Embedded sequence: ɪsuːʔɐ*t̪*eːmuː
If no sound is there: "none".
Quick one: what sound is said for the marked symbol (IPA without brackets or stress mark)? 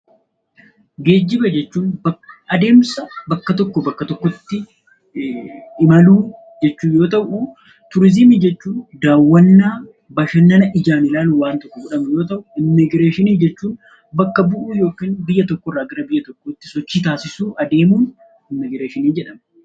d̪